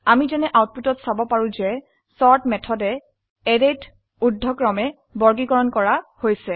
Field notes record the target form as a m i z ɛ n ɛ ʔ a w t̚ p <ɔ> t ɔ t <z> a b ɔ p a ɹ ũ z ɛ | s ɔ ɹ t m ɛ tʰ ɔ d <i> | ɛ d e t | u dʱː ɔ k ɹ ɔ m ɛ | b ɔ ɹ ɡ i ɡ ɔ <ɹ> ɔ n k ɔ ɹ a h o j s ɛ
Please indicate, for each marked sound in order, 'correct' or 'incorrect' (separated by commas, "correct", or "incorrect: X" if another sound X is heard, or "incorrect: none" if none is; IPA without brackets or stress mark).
incorrect: u, incorrect: s, incorrect: ɛ, correct